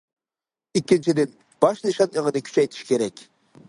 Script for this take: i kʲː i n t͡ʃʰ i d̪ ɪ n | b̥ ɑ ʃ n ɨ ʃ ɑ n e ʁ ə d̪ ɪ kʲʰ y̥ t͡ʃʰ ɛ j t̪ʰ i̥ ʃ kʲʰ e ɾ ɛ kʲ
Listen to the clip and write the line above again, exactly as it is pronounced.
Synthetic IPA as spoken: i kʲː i n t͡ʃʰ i d̪ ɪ n | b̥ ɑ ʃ n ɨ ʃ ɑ n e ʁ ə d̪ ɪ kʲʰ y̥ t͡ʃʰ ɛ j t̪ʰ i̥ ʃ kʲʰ e ɾ ɛ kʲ